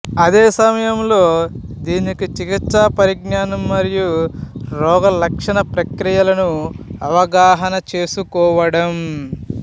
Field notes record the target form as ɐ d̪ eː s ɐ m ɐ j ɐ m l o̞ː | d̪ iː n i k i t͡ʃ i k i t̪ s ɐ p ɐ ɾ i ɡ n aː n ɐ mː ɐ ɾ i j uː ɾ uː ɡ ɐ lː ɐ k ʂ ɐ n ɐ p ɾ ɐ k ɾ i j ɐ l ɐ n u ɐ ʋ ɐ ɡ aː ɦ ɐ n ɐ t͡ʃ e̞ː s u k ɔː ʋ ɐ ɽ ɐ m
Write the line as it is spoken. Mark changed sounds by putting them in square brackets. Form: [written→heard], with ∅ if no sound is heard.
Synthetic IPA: ɐ d̪ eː s ɐ m ɐ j ɐ m l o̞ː | d̪ iː n i k i t͡ʃ i k i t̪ s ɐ p ɐ ɾ i ɡ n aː n ɐ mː ɐ ɾ i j [uː→u] ɾ [uː→ɔː] ɡ ɐ [lː→l] ɐ k ʂ ɐ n ɐ p ɾ ɐ k ɾ i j ɐ l ɐ n u ɐ ʋ ɐ ɡ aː ɦ ɐ n ɐ t͡ʃ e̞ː s u k ɔː ʋ ɐ ɽ ɐ m